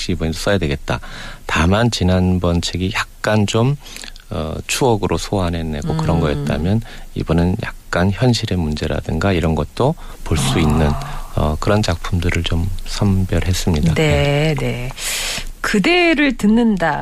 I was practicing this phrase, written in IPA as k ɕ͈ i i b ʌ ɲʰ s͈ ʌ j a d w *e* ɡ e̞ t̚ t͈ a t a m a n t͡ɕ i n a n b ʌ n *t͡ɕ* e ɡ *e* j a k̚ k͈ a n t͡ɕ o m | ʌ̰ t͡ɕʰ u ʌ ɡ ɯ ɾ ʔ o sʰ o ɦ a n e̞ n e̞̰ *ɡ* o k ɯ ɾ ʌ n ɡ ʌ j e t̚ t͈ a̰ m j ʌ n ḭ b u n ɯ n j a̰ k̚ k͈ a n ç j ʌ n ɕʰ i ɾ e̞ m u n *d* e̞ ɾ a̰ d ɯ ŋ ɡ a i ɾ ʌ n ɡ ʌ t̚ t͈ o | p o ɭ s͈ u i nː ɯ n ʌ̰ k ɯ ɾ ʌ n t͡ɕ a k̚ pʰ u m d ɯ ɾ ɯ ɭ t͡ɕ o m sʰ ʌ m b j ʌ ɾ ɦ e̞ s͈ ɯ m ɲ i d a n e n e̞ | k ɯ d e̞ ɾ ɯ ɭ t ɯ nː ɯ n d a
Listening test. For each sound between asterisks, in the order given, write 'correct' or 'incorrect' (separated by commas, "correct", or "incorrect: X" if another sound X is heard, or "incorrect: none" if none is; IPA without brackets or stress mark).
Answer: correct, incorrect: t͡ɕʰ, incorrect: i, correct, incorrect: d͡ʑ